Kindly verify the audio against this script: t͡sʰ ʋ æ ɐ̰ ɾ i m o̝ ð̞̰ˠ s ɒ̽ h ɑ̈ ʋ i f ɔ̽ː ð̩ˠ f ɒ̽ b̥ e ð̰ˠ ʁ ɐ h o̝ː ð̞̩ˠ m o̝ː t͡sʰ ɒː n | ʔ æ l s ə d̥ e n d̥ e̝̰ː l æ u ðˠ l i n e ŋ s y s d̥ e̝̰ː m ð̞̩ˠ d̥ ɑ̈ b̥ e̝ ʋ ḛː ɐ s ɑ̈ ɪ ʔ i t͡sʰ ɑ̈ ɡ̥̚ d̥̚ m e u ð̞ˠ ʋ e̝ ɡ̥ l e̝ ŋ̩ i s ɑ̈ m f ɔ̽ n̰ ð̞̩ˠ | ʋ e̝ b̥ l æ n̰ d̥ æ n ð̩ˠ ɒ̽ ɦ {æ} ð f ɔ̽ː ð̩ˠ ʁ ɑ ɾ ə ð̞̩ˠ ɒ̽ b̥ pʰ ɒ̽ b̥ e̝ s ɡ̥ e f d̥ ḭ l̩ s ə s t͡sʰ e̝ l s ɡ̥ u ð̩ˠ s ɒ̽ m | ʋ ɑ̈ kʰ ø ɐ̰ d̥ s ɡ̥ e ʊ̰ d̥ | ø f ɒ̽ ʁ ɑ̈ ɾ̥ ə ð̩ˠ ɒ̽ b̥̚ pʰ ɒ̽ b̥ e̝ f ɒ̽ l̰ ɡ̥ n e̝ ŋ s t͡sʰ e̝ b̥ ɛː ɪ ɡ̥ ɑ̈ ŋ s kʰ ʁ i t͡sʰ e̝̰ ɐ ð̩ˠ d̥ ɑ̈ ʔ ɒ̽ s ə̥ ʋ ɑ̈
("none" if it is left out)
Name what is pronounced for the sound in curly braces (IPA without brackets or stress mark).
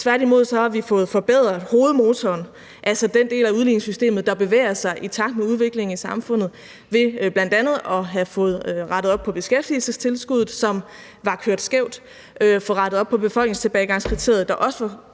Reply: æ